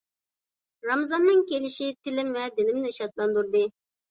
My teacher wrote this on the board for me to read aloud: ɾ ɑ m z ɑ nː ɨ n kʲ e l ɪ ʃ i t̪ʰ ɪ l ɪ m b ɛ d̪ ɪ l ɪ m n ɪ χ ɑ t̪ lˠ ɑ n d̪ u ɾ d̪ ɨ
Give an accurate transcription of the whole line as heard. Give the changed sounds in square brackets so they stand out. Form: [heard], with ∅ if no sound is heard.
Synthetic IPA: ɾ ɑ m z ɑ nː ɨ [ŋ] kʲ e l ɪ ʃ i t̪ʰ ɪ l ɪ m [v] ɛ d̪ ɪ l ɪ m n ɪ [ʃ] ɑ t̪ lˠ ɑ n d̪ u ɾ d̪ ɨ